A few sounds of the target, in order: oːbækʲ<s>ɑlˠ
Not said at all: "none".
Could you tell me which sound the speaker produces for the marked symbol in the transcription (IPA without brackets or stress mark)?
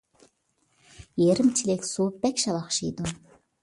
ʃ